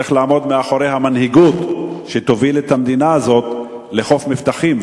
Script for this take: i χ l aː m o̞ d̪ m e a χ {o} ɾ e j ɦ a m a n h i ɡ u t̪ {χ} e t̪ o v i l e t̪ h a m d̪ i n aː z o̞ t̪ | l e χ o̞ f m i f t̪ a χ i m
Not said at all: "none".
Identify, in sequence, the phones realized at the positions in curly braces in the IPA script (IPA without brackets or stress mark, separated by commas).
o, ʃ